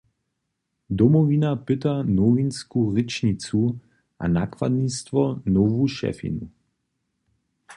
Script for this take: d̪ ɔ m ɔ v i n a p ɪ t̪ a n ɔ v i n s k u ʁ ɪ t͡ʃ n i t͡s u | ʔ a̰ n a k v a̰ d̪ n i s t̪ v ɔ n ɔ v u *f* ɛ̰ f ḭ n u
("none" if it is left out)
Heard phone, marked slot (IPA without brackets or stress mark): ʃ